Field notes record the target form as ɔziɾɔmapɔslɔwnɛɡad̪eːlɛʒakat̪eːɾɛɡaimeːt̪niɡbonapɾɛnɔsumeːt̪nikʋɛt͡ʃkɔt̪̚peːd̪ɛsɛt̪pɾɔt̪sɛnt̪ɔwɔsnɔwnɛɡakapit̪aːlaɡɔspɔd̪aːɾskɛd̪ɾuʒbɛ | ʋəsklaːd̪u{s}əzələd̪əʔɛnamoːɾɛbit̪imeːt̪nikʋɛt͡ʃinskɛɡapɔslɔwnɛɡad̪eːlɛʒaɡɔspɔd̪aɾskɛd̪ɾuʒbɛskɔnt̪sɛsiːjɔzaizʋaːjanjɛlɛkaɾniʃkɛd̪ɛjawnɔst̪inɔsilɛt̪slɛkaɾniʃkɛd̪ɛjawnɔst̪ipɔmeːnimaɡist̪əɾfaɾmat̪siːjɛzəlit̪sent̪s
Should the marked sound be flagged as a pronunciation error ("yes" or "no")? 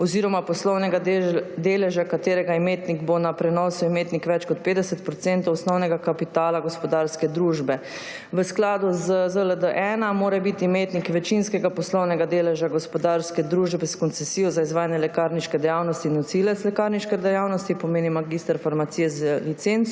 yes